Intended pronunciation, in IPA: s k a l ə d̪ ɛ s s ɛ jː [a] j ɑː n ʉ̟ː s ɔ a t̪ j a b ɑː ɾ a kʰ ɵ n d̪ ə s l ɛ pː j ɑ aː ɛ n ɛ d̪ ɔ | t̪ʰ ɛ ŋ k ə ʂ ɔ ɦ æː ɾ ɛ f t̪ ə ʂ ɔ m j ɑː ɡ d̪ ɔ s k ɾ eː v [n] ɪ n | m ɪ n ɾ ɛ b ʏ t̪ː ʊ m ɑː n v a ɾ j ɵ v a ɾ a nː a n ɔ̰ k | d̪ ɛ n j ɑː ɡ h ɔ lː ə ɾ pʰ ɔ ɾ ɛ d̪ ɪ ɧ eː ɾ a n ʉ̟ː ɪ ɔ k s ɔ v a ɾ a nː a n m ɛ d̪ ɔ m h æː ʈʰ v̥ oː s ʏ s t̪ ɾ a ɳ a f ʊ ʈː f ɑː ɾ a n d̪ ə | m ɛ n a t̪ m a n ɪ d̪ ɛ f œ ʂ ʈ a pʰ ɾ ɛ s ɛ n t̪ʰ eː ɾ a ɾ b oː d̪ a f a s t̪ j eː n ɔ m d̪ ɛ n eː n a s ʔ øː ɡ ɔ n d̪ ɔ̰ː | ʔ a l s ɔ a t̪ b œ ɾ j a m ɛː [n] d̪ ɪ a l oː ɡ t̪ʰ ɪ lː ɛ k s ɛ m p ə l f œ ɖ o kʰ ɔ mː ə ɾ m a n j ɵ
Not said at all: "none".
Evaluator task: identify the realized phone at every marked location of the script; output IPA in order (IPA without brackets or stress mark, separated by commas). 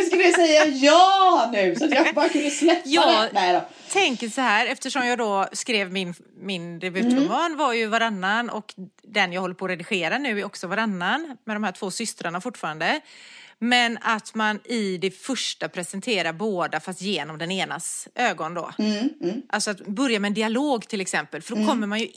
a, m, n